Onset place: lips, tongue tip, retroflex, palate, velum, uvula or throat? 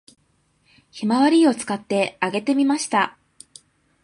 palate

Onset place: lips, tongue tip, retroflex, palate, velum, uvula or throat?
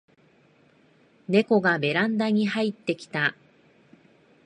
tongue tip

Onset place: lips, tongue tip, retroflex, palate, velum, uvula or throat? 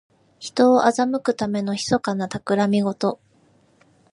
palate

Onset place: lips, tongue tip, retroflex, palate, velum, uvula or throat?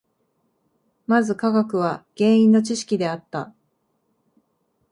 lips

